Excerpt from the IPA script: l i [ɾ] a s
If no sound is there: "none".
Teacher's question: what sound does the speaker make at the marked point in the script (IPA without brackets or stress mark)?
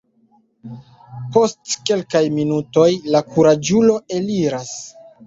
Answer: ɾ